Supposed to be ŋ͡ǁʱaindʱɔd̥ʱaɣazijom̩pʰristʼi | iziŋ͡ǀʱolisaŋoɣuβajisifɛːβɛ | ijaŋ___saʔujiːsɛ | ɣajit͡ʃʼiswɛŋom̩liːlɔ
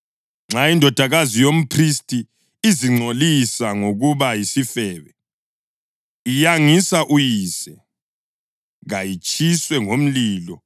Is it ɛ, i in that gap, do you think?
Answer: i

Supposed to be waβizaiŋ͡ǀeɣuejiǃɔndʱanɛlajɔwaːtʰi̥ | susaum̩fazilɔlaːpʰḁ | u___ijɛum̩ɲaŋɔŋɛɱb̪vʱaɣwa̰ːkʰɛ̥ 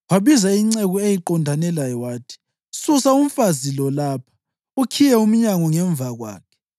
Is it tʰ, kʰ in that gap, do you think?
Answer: kʰ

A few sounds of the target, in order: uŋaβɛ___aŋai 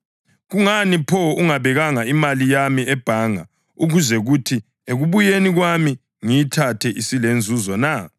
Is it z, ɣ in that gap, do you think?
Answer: ɣ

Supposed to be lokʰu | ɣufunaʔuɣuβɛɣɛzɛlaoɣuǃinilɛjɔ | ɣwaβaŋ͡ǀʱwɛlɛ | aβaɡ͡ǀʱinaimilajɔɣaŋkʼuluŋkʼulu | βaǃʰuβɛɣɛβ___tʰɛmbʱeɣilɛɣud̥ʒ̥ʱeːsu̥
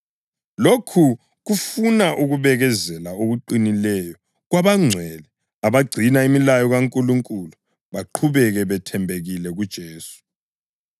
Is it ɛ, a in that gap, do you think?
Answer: ɛ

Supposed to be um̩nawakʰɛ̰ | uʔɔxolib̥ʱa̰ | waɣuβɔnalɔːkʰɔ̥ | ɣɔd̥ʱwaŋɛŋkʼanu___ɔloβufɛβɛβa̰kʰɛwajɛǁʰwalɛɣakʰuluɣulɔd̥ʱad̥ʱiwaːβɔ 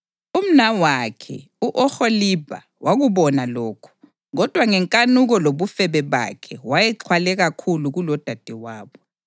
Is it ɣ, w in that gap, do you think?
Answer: ɣ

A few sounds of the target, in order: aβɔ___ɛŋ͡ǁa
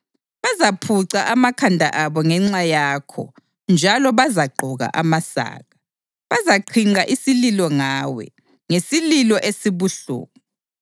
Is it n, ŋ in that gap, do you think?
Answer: ŋ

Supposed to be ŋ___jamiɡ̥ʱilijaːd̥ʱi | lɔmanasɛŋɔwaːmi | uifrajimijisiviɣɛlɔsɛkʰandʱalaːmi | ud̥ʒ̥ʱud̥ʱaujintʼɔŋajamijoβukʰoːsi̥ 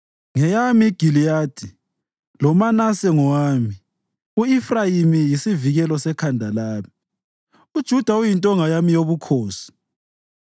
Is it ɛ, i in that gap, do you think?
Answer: ɛ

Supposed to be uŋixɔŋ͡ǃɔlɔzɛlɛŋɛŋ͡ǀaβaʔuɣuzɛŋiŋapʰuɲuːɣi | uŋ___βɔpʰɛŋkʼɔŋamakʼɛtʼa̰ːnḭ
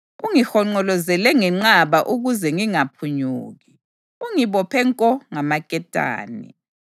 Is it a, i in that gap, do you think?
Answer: i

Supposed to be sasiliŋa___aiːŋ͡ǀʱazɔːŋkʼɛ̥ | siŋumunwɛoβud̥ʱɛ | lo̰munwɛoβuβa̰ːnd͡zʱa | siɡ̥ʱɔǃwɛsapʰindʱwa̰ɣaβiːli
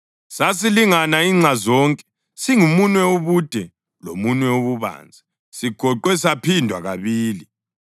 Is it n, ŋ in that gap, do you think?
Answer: n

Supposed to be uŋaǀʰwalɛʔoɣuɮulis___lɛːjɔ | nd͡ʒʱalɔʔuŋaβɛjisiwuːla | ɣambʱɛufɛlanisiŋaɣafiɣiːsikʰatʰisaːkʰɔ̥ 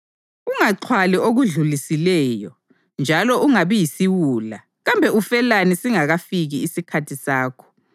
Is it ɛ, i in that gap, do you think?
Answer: i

